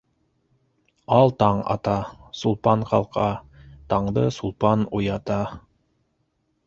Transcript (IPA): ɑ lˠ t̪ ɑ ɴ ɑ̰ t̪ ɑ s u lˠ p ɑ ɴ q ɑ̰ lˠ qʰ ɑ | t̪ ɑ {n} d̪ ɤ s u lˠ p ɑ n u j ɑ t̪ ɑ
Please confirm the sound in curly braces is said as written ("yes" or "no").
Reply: no